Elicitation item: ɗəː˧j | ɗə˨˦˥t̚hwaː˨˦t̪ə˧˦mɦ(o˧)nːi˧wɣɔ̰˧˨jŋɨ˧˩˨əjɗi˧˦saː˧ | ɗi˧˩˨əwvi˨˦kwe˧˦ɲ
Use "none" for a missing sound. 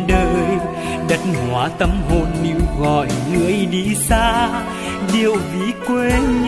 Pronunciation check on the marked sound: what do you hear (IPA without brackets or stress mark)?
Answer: o˧